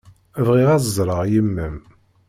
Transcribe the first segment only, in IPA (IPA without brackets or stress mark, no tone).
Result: v